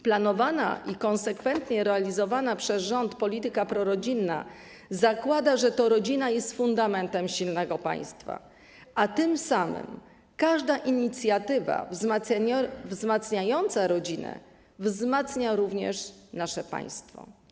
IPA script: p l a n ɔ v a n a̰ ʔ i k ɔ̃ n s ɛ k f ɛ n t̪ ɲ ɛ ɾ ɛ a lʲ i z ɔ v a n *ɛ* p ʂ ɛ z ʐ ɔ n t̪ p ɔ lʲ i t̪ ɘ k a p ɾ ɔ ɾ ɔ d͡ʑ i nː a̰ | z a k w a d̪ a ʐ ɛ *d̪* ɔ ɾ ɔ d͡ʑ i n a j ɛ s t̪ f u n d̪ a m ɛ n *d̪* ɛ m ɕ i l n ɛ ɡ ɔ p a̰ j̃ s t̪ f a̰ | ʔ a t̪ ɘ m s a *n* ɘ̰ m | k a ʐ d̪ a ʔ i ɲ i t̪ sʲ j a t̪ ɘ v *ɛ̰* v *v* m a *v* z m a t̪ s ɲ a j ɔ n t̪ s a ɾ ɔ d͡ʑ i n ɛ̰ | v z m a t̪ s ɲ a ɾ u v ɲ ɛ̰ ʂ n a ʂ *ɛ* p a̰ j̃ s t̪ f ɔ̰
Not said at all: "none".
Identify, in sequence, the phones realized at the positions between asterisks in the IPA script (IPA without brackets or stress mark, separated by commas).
a, t̪, t̪, m, a̰, z, v, ɛ